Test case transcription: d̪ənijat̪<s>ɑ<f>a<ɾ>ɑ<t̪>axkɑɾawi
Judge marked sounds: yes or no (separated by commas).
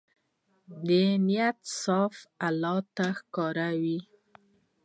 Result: yes, yes, no, yes